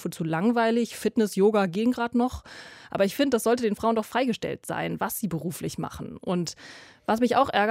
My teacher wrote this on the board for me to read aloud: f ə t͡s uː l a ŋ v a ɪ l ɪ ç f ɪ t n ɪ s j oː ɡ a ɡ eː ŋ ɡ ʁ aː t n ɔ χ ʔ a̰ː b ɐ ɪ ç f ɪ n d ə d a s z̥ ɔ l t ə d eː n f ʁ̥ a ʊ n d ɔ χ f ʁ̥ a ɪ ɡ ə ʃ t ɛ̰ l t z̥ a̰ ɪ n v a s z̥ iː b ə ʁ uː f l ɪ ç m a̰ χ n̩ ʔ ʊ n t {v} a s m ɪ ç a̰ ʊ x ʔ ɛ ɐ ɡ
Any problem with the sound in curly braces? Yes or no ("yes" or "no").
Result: no